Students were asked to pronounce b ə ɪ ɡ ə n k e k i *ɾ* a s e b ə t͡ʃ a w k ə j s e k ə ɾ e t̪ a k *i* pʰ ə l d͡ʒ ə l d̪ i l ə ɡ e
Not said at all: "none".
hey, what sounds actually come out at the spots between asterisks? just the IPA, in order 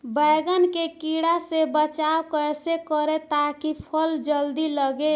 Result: ɽ, i

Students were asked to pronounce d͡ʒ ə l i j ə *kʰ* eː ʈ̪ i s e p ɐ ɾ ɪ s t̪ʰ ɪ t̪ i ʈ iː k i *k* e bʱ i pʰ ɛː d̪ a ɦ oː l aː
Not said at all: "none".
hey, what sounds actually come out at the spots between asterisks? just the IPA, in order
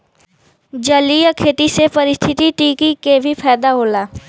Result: kʰ, k

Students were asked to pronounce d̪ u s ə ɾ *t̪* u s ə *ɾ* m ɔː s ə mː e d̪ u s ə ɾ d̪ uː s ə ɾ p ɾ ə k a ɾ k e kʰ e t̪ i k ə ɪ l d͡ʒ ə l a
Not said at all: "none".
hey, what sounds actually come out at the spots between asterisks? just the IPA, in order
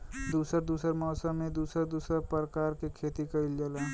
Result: d̪, ɾ

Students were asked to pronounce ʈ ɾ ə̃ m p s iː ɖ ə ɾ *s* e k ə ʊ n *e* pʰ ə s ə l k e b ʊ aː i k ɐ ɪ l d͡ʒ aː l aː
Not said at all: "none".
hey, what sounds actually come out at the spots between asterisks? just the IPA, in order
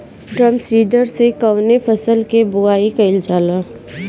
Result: s, e

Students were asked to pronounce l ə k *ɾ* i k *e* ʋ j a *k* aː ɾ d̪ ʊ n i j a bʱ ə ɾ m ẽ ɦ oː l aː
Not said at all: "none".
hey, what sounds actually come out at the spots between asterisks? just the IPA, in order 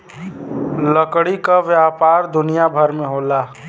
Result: ɽ, a, p

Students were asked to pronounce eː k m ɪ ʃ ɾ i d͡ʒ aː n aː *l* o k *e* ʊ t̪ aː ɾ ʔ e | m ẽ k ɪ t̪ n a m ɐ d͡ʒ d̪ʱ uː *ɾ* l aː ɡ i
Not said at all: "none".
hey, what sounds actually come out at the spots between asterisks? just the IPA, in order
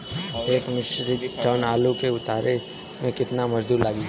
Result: l, e, ɾ

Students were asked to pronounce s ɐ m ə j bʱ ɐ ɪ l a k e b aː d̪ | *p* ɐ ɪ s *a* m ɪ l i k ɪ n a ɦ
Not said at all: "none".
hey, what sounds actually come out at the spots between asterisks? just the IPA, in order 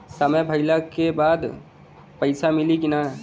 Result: p, a

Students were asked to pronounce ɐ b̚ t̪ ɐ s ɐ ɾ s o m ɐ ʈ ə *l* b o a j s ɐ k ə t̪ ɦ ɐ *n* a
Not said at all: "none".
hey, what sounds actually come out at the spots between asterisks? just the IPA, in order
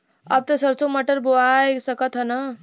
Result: ɾ, n

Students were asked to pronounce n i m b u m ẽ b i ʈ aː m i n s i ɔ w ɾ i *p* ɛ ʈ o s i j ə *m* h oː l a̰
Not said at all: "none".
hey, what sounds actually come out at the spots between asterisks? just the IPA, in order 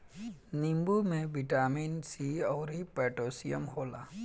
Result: p, m

